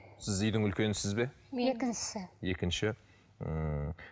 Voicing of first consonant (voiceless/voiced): voiceless